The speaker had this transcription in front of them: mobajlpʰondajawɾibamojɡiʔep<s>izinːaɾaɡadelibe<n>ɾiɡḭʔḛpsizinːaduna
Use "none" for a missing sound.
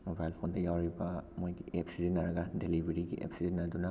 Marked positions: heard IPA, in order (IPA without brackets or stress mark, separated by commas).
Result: s, none